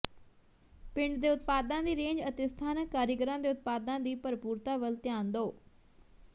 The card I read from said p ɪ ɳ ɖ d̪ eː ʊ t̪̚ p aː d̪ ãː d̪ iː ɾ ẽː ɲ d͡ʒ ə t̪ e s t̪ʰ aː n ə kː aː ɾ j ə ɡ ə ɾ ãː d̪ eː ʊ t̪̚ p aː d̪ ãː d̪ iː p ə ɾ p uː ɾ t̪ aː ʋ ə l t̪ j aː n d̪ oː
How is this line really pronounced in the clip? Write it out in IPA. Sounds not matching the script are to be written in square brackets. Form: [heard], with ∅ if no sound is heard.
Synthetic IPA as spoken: p ɪ ɳ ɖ d̪ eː ʊ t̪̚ p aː d̪ ãː d̪ iː ɾ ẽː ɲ d͡ʒ ə t̪ e s t̪ʰ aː n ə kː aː ɾ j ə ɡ ə ɾ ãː d̪ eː ʊ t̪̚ p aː d̪ ãː d̪ iː p ə ɾ p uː ɾ t̪ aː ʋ ə l t̪ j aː n d̪ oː